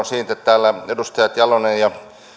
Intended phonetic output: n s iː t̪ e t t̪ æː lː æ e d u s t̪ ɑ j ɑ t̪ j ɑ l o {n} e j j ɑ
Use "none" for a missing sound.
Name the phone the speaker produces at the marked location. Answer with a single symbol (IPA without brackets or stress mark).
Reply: n